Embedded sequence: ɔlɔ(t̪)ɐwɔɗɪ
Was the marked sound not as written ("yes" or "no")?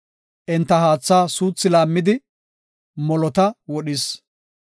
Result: no